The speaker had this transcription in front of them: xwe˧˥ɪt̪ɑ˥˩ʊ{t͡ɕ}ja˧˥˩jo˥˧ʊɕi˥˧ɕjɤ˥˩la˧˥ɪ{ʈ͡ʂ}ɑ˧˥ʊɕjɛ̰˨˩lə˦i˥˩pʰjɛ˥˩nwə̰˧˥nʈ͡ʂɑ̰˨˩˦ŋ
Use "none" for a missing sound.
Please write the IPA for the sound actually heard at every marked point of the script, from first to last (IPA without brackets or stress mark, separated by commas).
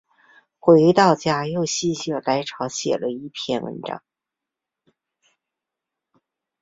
t͡ɕ, ʈ͡ʂʰ